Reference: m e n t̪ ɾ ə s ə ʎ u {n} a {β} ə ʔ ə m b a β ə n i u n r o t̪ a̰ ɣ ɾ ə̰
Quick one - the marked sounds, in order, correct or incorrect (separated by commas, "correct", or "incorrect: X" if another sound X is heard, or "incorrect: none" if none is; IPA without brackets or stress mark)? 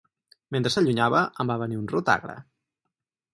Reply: incorrect: ɲ, correct